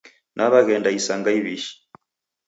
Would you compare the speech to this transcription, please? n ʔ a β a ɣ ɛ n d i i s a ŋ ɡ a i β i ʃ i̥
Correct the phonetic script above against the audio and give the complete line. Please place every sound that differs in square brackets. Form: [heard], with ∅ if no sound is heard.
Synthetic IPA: n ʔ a β a ɣ ɛ n d [a] i s a ŋ ɡ a i β i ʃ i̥